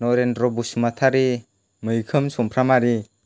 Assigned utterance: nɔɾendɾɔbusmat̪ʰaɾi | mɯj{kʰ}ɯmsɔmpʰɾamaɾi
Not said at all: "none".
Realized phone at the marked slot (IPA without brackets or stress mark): kʰ